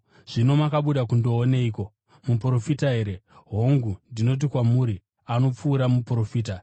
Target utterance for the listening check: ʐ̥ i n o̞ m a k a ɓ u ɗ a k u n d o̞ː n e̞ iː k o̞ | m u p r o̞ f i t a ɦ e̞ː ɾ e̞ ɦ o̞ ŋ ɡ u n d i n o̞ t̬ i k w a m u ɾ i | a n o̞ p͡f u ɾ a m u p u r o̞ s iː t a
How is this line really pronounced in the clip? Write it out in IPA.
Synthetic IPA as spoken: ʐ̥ i n o̞ m a k a ɓ u ɗ a k u n d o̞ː n e̞ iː k o̞ | m u p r o̞ f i t a ɦ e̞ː ɾ e̞ ɦ o̞ ŋ ɡ u n d i n o̞ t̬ i k w a m u ɾ i | a n o̞ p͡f uː ɾ a m u p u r o̞ f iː t a